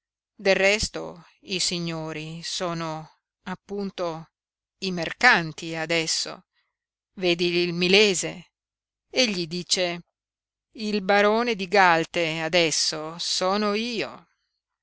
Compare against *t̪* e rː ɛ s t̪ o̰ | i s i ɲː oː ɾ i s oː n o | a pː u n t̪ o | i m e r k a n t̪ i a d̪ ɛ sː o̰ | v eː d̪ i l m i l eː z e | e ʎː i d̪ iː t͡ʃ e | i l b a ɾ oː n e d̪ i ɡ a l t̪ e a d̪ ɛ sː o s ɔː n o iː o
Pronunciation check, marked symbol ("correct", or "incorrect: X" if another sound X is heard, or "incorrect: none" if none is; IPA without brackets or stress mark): incorrect: d̪